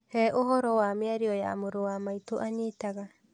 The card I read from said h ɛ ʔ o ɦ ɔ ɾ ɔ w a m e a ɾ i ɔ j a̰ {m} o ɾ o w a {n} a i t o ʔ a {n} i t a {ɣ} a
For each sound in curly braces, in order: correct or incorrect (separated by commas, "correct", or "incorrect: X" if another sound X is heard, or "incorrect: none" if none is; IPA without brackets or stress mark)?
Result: correct, incorrect: m, incorrect: ɲ, correct